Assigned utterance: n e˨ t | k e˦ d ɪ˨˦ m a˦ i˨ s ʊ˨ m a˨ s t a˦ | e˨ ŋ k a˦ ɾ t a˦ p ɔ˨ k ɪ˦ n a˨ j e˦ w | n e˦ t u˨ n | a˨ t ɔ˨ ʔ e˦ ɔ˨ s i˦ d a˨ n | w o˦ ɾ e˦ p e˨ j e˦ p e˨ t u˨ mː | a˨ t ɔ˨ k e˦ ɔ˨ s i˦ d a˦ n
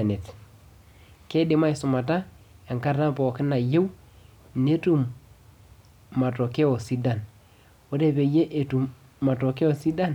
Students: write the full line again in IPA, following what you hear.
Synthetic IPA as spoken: n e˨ t | k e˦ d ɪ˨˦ m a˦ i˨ s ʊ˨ m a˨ t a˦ | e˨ ŋ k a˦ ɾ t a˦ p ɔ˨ k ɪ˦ n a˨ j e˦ w | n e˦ t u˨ m | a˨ t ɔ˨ k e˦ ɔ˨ s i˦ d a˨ n | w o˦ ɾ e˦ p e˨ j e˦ ʔ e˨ t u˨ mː | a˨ t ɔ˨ k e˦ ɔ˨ s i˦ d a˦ n